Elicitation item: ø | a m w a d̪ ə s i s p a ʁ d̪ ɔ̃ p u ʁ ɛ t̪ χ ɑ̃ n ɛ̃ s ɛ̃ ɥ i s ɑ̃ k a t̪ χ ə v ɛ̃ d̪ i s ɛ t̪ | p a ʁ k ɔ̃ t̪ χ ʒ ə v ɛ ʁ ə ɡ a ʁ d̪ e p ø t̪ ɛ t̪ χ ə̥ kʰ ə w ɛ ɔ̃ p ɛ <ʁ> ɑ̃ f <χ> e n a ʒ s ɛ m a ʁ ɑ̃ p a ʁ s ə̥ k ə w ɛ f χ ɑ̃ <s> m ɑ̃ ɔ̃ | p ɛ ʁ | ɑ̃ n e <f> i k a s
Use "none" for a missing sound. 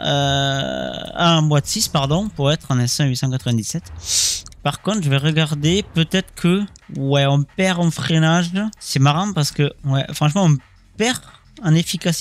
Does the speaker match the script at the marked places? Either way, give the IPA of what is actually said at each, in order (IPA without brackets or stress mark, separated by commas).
ʁ, χ, ʃ, f